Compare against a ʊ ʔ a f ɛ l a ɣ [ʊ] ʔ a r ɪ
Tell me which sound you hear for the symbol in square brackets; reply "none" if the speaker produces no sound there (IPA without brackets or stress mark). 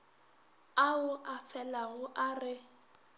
ʊ